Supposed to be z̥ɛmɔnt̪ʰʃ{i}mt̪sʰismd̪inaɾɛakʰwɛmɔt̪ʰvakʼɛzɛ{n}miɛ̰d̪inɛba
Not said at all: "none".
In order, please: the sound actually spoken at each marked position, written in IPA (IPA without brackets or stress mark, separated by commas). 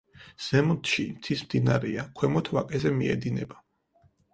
i, none